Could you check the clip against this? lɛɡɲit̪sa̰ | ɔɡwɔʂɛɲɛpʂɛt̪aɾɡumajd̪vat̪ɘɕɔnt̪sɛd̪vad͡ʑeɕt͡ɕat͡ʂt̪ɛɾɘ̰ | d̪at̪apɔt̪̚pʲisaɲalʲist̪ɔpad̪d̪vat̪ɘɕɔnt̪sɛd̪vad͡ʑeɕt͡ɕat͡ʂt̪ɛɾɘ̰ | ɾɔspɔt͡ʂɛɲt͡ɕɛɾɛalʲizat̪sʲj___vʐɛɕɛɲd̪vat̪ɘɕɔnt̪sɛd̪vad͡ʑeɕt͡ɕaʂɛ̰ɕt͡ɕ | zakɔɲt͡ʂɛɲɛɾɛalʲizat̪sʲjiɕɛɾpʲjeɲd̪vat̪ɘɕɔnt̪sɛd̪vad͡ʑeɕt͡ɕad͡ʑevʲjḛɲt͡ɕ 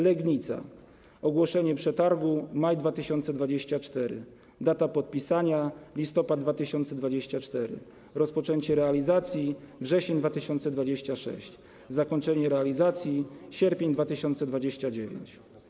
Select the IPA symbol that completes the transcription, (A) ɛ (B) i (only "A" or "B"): B